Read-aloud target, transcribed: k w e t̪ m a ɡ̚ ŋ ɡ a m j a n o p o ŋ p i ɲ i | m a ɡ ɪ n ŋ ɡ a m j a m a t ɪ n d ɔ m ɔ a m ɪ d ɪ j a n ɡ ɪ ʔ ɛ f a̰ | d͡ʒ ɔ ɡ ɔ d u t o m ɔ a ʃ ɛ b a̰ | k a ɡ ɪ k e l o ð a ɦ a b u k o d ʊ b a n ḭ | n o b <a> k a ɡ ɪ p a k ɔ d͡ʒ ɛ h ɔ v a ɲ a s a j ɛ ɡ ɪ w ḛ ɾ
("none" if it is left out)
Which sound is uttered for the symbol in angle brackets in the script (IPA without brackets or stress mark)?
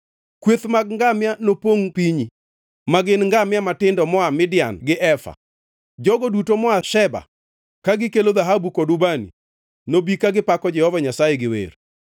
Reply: i